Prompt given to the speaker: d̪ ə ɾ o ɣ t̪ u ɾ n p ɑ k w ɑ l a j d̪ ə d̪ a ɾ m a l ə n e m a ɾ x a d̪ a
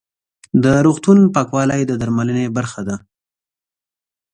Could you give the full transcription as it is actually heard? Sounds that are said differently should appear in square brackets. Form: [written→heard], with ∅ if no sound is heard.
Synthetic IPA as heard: d̪ ə ɾ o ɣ t̪ u [ɾ→∅] n p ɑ k w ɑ l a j d̪ ə d̪ a ɾ m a l ə n e [m→b] a ɾ x a d̪ a